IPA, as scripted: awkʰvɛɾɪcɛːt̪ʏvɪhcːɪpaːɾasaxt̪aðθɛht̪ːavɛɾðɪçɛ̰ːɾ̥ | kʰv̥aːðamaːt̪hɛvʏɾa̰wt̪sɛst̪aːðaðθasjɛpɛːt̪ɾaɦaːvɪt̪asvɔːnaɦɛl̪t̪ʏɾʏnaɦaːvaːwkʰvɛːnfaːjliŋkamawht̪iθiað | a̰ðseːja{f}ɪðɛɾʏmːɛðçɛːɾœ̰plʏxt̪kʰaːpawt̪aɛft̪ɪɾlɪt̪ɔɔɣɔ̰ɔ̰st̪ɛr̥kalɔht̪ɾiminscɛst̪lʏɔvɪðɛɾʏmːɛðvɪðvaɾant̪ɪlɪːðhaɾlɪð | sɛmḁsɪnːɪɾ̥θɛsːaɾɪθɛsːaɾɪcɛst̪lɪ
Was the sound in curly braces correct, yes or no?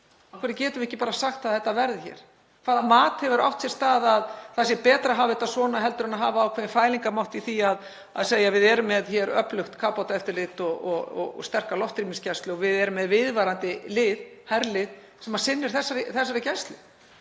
no